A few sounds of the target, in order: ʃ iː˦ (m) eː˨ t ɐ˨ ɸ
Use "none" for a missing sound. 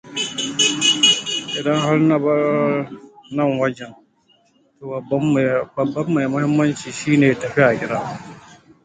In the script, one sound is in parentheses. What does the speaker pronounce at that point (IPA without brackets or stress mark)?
n